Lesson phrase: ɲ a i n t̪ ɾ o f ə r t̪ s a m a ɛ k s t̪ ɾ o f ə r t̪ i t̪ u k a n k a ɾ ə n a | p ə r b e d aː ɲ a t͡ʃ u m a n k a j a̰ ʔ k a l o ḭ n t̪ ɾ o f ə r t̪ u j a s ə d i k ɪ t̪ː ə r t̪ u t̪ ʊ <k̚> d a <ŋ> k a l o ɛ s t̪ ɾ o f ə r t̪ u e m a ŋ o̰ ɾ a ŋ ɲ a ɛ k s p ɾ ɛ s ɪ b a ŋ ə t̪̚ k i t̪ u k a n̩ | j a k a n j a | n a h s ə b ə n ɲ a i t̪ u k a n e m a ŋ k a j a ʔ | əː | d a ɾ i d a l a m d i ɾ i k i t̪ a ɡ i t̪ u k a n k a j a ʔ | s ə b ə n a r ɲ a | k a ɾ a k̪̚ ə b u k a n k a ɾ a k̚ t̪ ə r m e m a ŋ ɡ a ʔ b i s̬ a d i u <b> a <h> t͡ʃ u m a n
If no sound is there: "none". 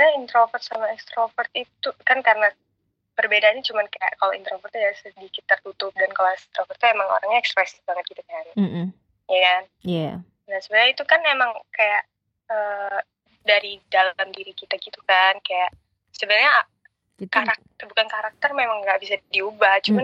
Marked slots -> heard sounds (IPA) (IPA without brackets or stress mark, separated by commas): p̚, n, b, h